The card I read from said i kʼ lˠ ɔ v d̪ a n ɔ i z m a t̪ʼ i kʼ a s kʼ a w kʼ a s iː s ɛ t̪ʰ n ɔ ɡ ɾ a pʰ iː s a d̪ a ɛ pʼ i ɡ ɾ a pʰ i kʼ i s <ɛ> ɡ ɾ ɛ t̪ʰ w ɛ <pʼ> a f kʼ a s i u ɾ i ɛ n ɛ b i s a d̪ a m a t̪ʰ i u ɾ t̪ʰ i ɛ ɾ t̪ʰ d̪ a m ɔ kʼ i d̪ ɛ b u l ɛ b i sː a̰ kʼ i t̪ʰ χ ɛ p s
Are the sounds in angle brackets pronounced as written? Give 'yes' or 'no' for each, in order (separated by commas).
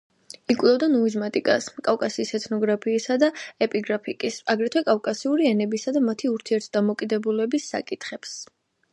no, no